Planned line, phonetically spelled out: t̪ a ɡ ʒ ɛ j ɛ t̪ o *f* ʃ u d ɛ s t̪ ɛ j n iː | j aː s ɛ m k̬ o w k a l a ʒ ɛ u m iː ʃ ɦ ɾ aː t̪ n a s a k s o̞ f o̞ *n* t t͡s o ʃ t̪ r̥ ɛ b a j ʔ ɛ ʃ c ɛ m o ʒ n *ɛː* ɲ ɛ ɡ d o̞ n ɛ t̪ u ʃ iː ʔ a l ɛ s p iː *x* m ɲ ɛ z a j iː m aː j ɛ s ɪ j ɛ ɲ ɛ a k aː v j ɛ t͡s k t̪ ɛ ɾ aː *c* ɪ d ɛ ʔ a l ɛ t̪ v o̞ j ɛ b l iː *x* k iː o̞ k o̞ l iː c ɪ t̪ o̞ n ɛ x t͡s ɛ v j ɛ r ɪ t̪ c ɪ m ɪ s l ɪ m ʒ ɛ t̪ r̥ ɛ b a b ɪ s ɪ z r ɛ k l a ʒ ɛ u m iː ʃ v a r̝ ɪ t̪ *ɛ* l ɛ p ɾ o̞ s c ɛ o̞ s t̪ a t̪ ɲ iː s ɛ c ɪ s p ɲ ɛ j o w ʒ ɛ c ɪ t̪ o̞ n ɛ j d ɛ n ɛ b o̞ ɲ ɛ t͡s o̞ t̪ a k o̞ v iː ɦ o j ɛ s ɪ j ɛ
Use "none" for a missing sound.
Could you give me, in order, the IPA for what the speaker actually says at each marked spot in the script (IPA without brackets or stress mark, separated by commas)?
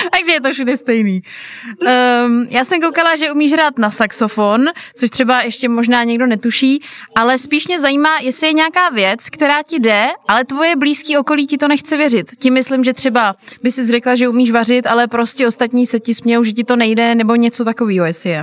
f, n, aː, ʃ, c, s, a